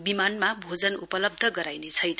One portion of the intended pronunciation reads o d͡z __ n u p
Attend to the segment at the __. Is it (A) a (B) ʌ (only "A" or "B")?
B